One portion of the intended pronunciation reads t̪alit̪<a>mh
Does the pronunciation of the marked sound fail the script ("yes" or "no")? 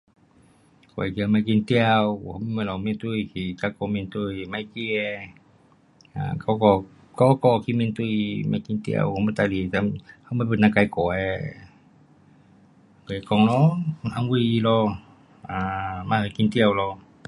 no